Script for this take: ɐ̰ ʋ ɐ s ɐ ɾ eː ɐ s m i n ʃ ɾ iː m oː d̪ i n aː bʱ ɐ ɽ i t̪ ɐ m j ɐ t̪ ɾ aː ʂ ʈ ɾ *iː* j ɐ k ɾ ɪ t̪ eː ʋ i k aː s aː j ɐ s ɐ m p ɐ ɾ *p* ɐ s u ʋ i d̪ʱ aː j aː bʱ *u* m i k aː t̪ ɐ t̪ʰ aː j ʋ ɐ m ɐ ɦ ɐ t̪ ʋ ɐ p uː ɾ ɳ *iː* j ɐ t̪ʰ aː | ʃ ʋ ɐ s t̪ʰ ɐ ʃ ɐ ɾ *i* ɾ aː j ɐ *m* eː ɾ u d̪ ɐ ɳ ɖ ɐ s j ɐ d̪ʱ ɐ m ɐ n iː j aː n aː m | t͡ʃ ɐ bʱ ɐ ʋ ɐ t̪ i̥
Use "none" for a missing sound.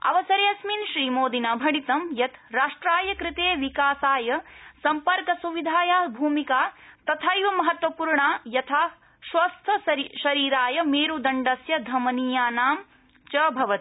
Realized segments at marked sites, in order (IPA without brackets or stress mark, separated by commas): aː, k, uː, aː, iː, m